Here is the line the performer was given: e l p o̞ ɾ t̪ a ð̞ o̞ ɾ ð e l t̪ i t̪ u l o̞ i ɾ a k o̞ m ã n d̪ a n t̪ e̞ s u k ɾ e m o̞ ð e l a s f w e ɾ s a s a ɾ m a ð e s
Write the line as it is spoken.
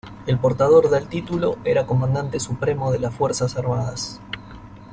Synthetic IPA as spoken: e l p o̞ ɾ t̪ a ð̞ o̞ ɾ ð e l t̪ i t̪ u l o̞ e ɾ a k o̞ m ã n d̪ a n t̪ e̞ s u p ɾ e m o̞ ð e l a s f w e ɾ s a s a ɾ m a ð a s